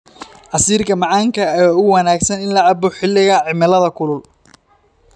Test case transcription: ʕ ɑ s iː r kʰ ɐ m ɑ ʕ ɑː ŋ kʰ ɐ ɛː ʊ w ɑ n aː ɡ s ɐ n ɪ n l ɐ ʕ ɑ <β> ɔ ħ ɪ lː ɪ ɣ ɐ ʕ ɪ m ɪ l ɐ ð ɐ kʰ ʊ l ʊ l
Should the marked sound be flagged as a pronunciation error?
yes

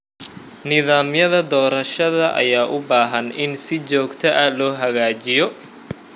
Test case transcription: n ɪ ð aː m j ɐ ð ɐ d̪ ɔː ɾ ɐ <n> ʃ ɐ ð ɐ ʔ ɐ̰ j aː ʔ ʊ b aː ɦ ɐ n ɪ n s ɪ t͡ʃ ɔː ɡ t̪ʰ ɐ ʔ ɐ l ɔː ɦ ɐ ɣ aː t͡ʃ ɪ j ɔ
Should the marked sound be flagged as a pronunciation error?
yes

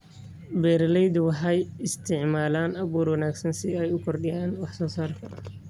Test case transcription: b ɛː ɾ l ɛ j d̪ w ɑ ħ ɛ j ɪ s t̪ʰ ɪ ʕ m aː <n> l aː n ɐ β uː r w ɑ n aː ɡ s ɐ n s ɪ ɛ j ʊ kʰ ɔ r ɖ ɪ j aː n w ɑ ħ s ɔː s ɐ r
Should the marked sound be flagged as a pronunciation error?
yes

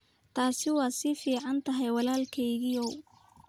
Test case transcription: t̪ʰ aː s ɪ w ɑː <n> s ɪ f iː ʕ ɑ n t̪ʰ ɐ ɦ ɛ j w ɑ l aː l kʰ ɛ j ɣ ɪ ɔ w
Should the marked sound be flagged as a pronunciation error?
yes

